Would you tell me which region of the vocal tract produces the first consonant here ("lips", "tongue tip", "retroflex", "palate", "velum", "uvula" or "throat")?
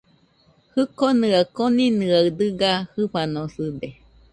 throat